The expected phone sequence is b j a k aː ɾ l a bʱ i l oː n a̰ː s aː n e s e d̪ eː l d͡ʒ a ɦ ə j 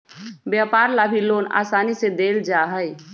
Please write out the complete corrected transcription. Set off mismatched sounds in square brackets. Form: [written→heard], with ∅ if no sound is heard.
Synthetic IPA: b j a [k→p] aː ɾ l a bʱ i l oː n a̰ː s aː n [e→i] s e d̪ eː l d͡ʒ a ɦ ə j